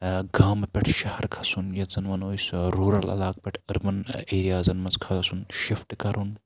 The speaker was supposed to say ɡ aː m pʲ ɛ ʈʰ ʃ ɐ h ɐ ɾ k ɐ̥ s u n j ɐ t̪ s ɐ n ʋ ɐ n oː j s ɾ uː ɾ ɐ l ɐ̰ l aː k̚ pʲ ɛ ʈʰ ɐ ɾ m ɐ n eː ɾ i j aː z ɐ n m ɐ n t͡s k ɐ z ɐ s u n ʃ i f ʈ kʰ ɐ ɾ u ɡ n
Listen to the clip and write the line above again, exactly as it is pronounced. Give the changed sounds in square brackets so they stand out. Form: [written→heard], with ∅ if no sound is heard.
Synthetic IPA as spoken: ɡ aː m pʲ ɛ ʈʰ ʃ ɐ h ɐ ɾ [k→kʰ] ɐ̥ s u n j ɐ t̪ [s→z] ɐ n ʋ ɐ n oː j s ɾ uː ɾ ɐ l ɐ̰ l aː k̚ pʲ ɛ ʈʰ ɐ ɾ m ɐ n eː ɾ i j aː z ɐ n m ɐ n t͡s [k→kʰ] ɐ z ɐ s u n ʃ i f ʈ [kʰ→k] ɐ ɾ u [ɡ→∅] n